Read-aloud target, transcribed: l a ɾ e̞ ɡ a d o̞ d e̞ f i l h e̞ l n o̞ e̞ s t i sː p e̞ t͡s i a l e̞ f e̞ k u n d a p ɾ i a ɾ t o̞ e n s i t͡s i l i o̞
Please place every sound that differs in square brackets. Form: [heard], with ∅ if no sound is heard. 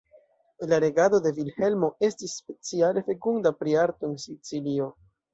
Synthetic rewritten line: l a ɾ e̞ ɡ a d o̞ d e̞ [v] i l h e̞ l [m] o̞ e̞ s t i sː p e̞ t͡s i a l e̞ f e̞ k u n d a p ɾ i a ɾ t o̞ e n s i t͡s i l i o̞